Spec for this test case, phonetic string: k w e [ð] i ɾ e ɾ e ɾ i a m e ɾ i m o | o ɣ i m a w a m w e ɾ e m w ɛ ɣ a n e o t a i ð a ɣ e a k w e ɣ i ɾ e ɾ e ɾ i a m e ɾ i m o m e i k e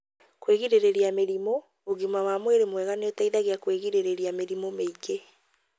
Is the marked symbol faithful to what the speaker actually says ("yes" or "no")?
no